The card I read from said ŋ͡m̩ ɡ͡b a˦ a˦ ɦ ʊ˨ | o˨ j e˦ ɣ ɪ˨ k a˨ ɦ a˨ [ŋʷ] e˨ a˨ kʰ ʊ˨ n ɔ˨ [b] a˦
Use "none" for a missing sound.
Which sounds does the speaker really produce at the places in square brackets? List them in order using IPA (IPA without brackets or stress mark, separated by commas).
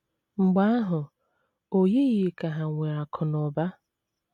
ŋʷ, b